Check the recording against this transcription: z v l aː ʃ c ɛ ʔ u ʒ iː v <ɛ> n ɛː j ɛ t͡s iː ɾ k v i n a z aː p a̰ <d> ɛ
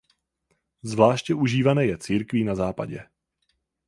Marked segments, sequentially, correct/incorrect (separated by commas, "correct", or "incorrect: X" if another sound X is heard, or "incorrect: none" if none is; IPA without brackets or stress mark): incorrect: a, incorrect: ɟ